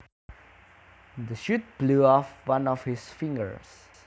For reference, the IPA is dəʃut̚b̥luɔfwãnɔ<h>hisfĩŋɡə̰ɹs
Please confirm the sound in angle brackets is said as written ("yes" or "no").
no